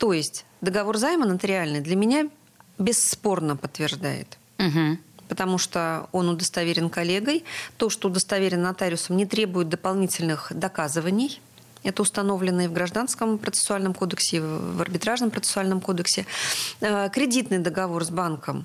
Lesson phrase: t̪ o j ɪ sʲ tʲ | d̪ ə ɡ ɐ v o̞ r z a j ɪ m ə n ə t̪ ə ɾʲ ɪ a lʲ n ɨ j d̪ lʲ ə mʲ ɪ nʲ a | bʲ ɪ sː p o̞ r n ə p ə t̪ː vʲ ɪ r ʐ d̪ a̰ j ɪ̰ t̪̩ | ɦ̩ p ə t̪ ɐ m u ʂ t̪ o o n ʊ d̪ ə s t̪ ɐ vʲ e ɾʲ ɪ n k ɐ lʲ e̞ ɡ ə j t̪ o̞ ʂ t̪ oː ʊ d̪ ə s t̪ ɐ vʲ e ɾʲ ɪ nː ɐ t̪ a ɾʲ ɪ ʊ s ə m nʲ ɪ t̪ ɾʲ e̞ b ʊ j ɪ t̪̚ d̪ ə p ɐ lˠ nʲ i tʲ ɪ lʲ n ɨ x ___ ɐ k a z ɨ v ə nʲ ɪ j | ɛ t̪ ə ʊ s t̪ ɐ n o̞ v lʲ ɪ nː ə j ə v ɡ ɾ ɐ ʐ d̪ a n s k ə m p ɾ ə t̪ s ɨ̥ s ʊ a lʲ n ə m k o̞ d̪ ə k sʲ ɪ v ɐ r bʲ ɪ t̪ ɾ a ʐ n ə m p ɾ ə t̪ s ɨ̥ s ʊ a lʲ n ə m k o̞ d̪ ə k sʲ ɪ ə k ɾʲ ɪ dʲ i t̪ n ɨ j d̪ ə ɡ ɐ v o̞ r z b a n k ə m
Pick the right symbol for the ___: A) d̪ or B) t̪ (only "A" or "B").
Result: A